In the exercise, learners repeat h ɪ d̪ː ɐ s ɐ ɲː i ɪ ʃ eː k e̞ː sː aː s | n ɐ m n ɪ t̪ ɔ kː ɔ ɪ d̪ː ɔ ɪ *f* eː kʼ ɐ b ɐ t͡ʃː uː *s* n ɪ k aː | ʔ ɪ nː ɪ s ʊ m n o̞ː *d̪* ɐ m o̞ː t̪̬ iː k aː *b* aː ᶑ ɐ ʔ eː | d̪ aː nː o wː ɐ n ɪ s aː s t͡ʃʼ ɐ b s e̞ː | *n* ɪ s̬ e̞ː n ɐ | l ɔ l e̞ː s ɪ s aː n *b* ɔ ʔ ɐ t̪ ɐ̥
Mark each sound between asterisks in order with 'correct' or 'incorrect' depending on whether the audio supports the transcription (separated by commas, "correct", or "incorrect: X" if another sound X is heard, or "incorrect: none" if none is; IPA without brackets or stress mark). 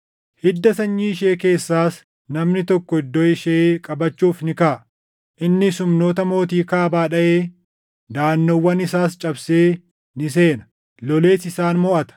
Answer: incorrect: ʃ, incorrect: f, incorrect: t̪, correct, correct, incorrect: m